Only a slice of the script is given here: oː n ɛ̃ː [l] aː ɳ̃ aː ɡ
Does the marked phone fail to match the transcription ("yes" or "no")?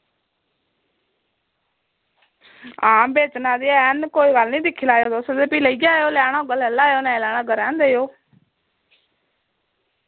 no